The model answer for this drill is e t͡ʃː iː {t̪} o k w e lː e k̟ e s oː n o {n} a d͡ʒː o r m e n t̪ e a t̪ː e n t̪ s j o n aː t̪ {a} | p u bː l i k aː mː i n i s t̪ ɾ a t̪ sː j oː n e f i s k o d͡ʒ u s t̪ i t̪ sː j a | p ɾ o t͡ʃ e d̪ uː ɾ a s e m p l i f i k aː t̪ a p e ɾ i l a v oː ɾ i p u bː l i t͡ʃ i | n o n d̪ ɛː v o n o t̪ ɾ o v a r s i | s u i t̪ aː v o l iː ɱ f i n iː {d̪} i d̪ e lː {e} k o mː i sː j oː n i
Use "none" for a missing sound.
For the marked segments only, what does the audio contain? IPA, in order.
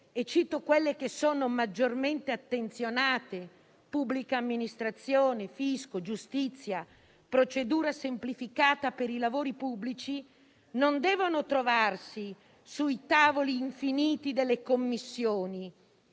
t̪, m, e, t̪, e

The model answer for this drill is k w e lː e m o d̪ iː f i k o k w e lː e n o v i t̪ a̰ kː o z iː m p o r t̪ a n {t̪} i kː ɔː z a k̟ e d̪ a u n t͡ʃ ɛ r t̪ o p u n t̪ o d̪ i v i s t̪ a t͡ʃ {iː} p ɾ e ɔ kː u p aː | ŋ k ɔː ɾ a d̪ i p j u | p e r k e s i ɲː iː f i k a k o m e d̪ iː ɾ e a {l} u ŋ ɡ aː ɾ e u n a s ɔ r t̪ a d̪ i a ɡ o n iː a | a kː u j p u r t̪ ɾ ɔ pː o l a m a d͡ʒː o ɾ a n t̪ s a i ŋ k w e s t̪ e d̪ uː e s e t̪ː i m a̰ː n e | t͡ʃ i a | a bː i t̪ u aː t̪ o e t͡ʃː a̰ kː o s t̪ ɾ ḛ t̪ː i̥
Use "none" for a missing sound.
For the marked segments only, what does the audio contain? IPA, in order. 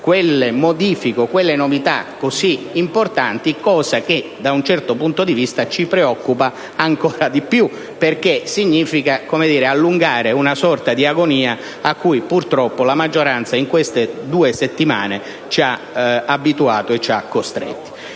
t̪, i, lː

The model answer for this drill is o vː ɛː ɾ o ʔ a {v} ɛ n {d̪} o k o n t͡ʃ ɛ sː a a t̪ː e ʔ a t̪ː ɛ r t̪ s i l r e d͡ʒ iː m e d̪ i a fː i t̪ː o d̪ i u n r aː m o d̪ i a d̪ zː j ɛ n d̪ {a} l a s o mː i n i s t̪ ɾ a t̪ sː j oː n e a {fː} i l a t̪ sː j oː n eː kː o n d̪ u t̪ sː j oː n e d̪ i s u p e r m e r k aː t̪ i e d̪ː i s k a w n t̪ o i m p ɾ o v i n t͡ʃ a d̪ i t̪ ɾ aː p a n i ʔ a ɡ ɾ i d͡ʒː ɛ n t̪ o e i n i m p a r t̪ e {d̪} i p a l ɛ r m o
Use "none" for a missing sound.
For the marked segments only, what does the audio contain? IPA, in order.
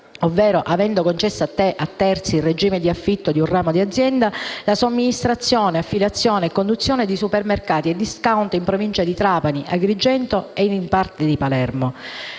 v, d̪, a, fː, d̪

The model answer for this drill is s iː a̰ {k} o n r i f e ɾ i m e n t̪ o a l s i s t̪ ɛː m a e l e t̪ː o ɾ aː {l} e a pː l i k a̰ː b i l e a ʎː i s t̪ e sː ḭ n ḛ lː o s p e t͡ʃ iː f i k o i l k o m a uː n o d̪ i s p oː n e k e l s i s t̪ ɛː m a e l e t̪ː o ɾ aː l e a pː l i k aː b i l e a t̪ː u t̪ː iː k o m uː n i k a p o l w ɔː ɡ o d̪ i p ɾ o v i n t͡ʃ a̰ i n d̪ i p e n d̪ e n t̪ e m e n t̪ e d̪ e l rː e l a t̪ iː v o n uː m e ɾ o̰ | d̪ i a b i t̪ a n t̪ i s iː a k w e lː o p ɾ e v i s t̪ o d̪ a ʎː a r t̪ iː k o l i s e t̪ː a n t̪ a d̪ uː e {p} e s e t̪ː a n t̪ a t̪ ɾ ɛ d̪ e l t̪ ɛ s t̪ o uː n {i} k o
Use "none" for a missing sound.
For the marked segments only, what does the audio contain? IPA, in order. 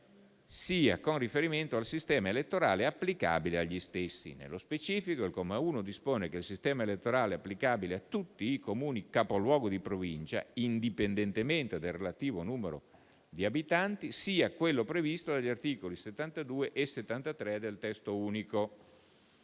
k, l, ʔ, i

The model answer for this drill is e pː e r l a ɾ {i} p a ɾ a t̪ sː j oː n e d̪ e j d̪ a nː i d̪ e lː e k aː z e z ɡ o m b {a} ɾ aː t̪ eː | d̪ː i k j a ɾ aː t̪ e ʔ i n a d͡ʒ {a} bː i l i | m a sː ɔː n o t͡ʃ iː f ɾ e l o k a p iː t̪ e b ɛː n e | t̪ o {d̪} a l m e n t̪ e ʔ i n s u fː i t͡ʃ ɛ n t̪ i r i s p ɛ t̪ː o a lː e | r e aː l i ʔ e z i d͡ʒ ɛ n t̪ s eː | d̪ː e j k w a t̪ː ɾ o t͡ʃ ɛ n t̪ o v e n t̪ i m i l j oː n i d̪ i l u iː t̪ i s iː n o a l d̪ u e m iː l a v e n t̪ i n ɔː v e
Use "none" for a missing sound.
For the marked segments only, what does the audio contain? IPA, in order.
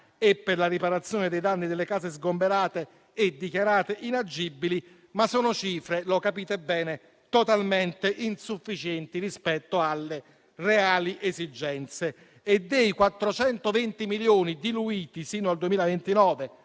i, e, i, t̪

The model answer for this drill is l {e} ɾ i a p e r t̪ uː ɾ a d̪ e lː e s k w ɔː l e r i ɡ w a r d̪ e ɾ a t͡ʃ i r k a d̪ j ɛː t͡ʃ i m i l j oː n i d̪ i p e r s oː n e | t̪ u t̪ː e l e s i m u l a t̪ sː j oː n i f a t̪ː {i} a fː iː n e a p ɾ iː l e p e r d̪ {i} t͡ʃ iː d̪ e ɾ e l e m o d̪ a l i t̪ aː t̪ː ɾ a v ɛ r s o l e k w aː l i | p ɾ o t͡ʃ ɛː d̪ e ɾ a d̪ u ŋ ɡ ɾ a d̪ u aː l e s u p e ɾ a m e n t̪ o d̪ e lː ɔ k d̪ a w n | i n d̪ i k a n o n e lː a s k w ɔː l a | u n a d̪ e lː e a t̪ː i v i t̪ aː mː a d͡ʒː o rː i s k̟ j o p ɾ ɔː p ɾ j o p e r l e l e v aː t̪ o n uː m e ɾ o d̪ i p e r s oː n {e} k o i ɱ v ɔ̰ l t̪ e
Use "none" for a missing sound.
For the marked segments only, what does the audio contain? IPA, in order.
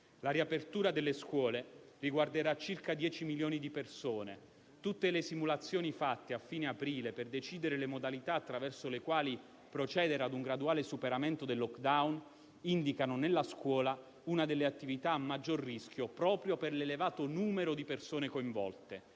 a, e, e, e

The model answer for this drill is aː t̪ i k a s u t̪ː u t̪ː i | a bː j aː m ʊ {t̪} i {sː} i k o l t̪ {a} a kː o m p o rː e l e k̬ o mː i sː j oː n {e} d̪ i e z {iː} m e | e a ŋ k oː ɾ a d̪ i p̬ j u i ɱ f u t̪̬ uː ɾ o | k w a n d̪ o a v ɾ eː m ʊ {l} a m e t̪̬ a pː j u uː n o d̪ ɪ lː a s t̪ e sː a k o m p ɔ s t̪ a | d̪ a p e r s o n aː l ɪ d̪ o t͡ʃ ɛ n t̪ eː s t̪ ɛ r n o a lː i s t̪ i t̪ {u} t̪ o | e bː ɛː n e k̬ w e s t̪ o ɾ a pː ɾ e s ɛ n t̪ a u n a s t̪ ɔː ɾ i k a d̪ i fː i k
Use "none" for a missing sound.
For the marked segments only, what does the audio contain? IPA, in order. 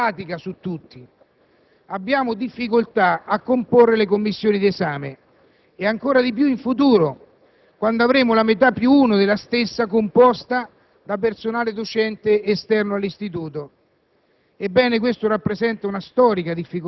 d̪, fː, a, i, aː, l, uː

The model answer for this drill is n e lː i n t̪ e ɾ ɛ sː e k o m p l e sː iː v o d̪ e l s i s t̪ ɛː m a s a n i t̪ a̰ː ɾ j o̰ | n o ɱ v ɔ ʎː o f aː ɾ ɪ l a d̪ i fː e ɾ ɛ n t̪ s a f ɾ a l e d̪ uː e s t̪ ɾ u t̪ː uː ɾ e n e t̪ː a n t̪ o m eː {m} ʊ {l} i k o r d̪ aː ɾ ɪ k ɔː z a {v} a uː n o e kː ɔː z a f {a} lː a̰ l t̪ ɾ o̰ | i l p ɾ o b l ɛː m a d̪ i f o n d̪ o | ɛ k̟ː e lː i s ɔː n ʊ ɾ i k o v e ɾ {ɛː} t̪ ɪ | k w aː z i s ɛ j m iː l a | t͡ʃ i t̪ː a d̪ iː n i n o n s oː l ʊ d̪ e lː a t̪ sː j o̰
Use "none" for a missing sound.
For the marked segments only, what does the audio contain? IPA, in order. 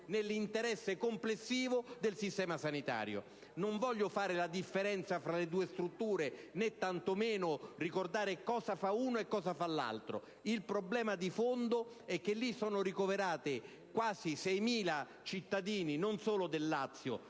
n, r, f, a, aː

